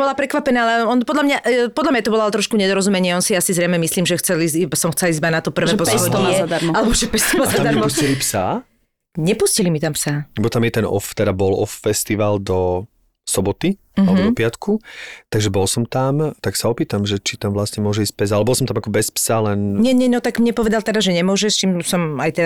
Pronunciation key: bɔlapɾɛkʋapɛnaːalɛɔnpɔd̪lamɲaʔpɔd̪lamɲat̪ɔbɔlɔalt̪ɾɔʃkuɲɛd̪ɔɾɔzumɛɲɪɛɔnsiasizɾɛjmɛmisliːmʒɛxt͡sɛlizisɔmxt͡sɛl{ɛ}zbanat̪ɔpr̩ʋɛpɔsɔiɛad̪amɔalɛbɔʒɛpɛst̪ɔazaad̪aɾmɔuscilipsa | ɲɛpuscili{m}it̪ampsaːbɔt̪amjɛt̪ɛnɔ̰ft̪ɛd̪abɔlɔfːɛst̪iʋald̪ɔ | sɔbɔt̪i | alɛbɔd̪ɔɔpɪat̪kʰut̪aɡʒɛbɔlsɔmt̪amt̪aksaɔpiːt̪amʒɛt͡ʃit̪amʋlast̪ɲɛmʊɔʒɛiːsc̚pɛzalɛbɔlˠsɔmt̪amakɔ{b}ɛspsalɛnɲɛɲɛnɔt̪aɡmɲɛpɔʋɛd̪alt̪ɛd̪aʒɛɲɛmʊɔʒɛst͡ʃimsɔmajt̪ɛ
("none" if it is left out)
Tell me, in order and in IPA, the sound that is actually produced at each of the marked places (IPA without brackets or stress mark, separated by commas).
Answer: i, m, b